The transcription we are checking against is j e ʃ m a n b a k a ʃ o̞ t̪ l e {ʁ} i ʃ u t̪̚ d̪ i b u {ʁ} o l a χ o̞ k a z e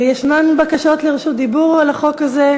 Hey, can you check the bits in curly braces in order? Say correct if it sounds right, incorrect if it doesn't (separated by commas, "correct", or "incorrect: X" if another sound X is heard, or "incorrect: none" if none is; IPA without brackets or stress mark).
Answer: correct, correct